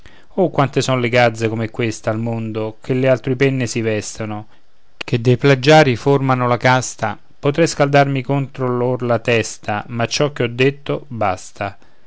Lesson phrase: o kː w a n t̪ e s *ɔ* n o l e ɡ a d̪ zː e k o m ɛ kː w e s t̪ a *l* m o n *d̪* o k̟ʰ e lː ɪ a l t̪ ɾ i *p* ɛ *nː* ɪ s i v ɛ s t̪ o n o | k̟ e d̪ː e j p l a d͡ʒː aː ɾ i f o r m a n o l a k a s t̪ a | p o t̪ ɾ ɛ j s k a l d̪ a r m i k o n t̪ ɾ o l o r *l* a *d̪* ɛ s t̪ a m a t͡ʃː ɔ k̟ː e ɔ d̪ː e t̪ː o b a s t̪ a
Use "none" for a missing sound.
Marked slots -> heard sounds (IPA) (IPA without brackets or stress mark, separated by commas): ɔ, l, d̪, p, nː, l, t̪